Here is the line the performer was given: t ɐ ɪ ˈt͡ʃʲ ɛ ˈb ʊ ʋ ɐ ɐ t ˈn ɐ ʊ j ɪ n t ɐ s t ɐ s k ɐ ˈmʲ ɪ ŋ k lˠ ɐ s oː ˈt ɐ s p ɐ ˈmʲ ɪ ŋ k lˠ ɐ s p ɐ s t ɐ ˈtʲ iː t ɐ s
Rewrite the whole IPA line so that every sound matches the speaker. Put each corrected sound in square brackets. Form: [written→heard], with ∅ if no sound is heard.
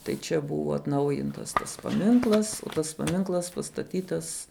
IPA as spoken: t ɐ ɪ ˈt͡ʃʲ ɛ ˈb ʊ ʋ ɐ ɐ t ˈn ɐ ʊ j ɪ n t ɐ s t ɐ s [k→p] ɐ ˈmʲ ɪ ŋ k lˠ ɐ s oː ˈt ɐ s p ɐ ˈmʲ ɪ ŋ k lˠ ɐ s p ɐ s t ɐ ˈtʲ iː t ɐ s